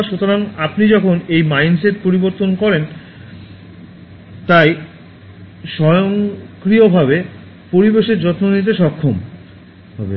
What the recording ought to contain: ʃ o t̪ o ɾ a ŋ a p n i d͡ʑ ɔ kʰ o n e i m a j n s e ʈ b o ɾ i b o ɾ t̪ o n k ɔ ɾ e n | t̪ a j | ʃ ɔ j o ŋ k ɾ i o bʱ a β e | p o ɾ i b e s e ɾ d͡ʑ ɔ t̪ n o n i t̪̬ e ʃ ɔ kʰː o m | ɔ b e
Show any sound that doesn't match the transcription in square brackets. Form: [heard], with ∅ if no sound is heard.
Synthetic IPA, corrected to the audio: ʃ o t̪ o ɾ a ŋ a p n i d͡ʑ ɔ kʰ o n e [j] m a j n s e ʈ [p] o ɾ i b o ɾ t̪ o n k ɔ ɾ e n | t̪ a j | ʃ ɔ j o ŋ k ɾ i o bʱ a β e | p o ɾ i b e [ʃ] e ɾ d͡ʑ ɔ t̪ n o n i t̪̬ e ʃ ɔ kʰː o m | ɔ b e